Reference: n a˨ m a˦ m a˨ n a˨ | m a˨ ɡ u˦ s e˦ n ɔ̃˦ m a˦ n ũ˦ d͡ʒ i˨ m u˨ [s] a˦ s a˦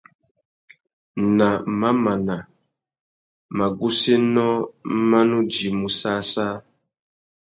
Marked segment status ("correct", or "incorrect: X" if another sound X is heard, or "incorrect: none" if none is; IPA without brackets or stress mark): correct